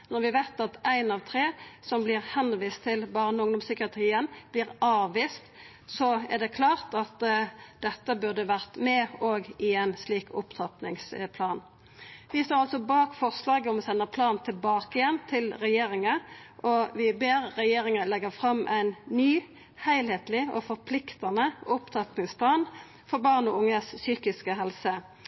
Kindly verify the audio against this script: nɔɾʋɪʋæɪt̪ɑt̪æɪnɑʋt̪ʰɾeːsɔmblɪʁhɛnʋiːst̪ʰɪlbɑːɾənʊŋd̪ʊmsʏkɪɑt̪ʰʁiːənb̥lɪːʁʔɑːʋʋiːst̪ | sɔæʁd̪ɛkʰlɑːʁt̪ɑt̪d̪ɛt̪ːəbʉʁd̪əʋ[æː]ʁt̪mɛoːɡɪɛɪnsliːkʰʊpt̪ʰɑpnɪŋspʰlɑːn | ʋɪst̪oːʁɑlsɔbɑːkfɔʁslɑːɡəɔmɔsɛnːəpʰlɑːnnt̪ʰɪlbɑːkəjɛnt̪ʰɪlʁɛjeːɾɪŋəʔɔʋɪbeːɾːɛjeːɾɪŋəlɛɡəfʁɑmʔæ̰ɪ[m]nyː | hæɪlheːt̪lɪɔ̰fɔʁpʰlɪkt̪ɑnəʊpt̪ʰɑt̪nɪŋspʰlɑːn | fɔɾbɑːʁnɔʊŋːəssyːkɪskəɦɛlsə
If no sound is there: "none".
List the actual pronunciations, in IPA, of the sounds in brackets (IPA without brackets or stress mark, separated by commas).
æ, n